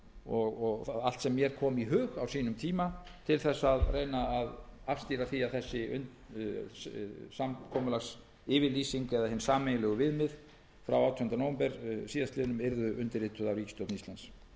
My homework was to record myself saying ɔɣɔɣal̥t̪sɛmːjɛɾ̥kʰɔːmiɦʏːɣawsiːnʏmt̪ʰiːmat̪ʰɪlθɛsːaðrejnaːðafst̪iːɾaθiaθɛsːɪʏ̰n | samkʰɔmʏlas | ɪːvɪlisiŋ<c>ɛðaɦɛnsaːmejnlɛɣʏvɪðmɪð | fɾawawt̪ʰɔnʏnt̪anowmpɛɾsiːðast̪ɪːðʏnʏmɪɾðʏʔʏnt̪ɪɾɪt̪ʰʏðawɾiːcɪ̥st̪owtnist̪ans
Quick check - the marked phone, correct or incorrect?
incorrect: k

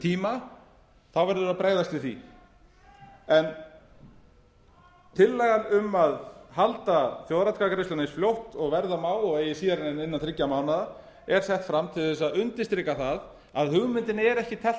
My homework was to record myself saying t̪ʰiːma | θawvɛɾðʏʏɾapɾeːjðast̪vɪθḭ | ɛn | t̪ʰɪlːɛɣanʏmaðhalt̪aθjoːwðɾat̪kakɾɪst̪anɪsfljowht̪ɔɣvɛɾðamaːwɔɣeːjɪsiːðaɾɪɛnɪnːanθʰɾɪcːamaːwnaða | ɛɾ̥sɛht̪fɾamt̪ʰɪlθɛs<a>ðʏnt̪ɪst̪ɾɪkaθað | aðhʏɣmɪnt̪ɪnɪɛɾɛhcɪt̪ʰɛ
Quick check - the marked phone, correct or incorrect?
correct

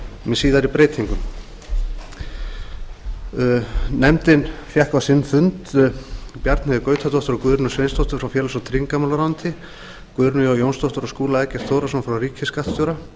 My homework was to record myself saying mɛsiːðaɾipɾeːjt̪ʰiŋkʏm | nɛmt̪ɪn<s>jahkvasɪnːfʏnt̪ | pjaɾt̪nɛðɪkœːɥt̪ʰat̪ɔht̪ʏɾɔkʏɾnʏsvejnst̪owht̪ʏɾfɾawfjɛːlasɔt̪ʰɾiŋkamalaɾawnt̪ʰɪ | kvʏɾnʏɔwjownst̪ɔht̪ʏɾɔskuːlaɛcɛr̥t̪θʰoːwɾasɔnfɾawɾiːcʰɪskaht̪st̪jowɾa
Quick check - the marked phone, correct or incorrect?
incorrect: f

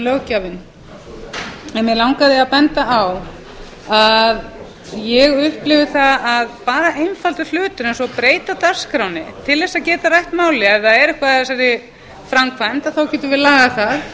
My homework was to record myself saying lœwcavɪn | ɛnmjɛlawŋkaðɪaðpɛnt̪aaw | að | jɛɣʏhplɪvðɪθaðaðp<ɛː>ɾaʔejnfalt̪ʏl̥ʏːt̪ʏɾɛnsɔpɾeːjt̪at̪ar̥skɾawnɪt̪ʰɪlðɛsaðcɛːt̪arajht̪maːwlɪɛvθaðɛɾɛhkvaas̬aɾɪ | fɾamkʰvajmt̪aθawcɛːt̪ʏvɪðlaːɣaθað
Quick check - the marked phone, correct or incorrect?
incorrect: aː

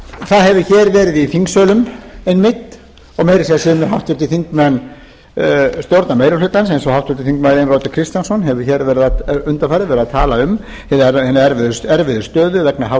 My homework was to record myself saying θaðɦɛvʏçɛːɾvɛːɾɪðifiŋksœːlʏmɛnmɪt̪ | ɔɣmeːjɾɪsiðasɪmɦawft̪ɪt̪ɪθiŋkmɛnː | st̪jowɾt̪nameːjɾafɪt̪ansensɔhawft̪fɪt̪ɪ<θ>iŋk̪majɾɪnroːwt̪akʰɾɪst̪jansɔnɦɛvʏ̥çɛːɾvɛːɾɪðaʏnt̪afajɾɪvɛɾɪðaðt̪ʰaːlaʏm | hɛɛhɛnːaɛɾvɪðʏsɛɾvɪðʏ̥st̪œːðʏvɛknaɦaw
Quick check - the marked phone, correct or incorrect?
correct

